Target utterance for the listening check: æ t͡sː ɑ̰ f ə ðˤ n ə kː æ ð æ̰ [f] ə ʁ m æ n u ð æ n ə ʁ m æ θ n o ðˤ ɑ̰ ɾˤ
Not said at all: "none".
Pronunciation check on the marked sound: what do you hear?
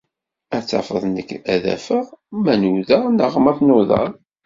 f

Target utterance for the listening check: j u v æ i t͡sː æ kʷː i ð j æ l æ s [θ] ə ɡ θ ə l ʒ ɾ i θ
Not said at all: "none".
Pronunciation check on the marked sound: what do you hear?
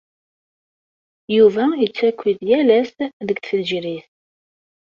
ð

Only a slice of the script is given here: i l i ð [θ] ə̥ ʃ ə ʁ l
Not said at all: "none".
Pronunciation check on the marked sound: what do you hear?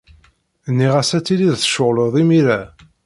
θ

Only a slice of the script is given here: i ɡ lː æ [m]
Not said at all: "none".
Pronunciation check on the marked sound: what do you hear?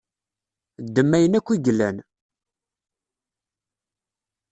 n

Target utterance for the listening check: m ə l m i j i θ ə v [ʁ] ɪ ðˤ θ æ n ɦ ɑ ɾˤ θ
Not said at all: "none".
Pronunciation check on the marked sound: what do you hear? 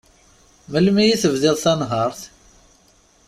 ð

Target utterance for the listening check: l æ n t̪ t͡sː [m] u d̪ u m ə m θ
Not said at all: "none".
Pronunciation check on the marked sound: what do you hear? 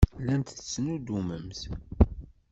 n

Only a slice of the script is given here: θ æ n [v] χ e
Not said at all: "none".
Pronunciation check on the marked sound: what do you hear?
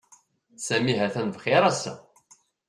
v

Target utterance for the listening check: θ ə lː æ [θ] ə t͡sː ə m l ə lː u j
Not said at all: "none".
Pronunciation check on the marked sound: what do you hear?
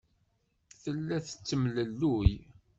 θ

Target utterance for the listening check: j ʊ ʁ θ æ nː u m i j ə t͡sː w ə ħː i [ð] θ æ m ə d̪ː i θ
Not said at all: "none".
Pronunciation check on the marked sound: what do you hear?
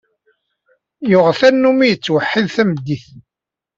ð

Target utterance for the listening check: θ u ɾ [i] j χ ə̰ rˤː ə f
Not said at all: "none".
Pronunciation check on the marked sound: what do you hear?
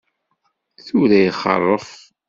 æ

